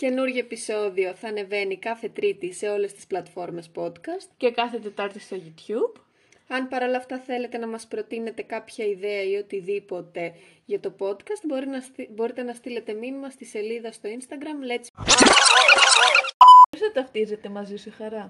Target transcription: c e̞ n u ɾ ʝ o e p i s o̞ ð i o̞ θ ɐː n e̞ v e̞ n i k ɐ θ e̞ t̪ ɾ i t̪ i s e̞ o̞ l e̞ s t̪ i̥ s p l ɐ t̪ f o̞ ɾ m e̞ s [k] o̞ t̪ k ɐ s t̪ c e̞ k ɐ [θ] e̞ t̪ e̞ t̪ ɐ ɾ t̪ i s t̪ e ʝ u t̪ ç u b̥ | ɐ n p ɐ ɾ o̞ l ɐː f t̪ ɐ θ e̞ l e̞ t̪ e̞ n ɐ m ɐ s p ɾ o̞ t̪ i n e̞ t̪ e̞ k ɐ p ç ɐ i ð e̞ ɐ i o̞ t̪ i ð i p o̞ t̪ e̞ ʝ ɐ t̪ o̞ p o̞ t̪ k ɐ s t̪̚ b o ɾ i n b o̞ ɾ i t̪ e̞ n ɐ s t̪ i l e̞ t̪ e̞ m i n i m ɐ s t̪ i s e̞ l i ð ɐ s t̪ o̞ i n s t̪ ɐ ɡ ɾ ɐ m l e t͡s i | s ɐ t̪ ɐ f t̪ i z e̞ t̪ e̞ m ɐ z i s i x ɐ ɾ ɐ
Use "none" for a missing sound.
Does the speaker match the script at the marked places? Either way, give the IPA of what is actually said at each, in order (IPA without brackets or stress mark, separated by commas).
p, θ